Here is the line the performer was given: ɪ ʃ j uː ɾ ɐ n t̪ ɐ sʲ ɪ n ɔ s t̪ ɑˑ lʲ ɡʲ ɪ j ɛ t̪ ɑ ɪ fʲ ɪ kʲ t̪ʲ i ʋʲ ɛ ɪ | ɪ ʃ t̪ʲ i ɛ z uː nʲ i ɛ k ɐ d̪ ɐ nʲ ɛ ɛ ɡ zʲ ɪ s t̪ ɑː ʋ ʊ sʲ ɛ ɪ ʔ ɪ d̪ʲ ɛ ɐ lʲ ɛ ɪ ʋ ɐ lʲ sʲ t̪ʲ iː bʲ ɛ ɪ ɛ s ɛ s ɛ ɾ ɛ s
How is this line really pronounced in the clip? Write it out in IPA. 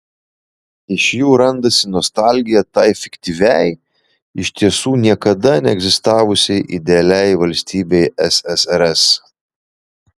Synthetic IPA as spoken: ɪ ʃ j uː ɾ ɐ n d̪ ɐ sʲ ɪ n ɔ s t̪ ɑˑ lʲ ɡʲ ɪ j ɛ t̪ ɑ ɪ fʲ ɪ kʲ t̪ʲ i ʋʲ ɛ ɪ | ɪ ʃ t̪ʲ i ɛ s uː nʲ i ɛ k ɐ d̪ ɐ nʲ ɛ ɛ ɡ zʲ ɪ s t̪ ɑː ʋ ʊ sʲ ɛ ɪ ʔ ɪ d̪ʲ ɛ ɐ lʲ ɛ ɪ ʋ ɐ lʲ sʲ t̪ʲ iː bʲ ɛ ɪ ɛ s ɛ s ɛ ɾ ɛ s